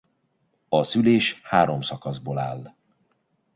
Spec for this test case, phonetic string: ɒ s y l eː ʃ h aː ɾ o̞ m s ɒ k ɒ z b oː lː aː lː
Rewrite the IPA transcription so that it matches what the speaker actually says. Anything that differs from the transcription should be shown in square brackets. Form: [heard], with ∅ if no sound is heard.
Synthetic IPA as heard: ɒ s y l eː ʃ h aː ɾ o̞ m s ɒ k ɒ z b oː [l] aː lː